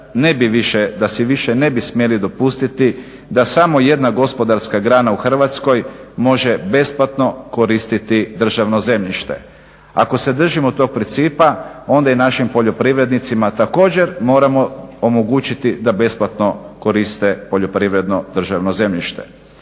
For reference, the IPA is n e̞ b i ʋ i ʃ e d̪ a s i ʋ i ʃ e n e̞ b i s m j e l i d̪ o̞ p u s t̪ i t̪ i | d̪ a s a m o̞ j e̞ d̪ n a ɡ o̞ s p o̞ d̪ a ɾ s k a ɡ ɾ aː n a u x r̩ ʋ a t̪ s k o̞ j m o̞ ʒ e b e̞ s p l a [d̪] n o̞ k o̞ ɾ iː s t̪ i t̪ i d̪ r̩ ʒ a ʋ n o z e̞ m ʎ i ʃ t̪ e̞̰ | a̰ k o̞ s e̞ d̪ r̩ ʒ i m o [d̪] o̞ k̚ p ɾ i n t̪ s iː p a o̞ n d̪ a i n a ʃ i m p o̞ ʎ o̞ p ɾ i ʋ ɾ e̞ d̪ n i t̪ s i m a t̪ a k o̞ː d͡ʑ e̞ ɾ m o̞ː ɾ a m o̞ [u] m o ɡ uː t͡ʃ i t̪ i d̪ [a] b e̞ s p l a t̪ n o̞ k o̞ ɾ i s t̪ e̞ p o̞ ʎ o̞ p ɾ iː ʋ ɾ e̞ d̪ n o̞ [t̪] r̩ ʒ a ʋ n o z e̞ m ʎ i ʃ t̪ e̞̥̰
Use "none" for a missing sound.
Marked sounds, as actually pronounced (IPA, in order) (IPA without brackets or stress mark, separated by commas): t̪, t̪, o, a, d̪